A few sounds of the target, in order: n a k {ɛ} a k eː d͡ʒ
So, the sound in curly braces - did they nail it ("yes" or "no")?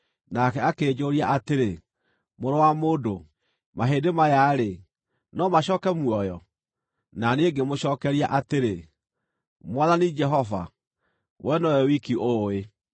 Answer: yes